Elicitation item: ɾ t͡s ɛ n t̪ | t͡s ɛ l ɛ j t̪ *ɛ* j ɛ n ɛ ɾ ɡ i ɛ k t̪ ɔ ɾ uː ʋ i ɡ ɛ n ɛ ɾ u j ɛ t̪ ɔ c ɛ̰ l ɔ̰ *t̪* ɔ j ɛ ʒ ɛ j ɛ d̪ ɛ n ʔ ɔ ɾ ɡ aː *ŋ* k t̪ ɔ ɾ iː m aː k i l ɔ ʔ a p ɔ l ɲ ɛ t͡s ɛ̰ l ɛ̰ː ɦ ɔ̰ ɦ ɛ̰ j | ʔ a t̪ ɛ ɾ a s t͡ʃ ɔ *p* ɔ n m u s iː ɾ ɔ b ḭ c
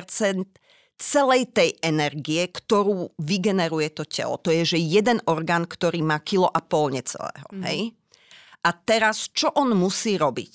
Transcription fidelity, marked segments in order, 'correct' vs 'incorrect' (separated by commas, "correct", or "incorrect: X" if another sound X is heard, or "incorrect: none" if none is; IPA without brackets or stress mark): correct, correct, incorrect: n, incorrect: ʔ